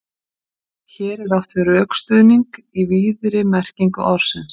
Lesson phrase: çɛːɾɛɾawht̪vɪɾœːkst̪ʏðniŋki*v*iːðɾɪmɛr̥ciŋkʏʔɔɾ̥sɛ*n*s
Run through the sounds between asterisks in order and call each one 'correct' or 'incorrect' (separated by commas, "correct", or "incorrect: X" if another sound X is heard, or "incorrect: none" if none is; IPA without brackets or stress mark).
correct, correct